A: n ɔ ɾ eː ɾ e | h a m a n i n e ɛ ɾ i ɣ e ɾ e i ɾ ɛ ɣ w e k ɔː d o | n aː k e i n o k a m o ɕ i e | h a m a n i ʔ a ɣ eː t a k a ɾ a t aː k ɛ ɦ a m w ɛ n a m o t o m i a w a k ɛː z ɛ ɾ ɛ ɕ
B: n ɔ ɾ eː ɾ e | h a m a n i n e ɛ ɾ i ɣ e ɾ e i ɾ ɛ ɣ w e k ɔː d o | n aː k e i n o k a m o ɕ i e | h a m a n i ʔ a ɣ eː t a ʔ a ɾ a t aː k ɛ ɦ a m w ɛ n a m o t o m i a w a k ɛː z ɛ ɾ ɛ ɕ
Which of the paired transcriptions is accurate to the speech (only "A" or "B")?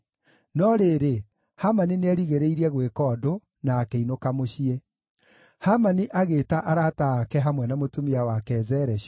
B